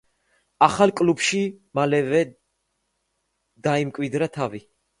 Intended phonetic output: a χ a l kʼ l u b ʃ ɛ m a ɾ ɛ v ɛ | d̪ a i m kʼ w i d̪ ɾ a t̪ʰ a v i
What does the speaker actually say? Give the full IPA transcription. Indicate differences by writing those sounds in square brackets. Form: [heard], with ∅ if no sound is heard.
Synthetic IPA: a χ a l kʼ l u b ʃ [i] m a [l] ɛ v ɛ | d̪ a i m kʼ w i d̪ ɾ a t̪ʰ a v i